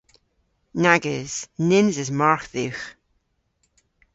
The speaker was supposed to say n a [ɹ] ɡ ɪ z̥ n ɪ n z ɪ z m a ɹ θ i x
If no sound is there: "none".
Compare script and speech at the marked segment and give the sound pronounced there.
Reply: none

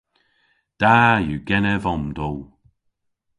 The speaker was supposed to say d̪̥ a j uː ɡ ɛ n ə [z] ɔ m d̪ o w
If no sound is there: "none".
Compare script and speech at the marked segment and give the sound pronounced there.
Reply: v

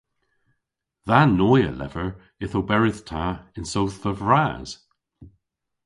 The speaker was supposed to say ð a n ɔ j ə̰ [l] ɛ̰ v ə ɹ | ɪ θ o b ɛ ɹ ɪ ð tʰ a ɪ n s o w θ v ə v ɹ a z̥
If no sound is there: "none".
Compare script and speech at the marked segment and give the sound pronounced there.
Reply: l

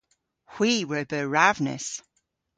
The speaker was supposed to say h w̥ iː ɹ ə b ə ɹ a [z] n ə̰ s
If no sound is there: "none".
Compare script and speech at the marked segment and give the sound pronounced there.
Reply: v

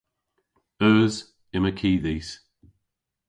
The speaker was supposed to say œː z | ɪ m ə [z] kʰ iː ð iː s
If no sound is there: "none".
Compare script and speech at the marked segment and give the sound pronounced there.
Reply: none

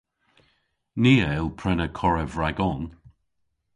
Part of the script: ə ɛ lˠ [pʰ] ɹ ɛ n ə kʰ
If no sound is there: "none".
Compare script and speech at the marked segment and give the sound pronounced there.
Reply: pʰ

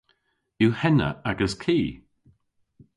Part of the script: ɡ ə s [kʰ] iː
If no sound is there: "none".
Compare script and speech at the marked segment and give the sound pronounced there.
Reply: kʰ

